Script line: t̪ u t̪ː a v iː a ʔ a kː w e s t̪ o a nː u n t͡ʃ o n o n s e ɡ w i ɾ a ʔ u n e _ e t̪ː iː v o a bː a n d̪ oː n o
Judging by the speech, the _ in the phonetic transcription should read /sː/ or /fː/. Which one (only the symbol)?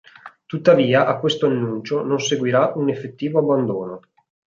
fː